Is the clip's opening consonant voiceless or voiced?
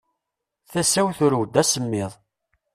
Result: voiceless